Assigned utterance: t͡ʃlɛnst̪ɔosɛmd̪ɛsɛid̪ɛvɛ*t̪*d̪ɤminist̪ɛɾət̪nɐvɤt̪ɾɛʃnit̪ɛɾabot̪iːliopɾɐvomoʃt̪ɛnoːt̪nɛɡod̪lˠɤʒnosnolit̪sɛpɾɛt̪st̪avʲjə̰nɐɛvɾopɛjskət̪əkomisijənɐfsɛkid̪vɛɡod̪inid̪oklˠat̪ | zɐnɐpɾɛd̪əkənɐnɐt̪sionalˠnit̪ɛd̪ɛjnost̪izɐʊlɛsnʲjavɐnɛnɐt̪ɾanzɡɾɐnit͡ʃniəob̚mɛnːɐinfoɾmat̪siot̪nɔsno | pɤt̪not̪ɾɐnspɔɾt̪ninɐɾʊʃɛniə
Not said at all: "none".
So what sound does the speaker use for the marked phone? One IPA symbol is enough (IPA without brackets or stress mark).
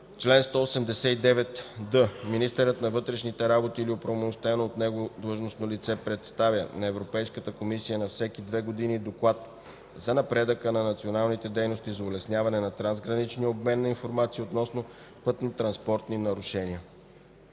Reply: t̪